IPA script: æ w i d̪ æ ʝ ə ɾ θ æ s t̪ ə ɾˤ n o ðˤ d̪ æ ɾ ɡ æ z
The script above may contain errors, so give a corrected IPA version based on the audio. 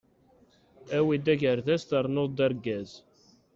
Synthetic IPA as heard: æ w i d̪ æ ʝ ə ɾ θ æ s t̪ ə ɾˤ n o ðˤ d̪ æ ɾ ɡ æ z